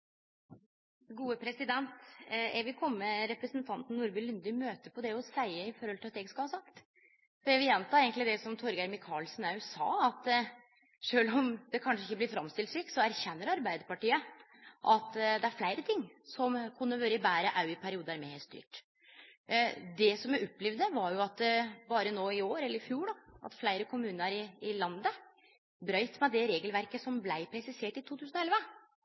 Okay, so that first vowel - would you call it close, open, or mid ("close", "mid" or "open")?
close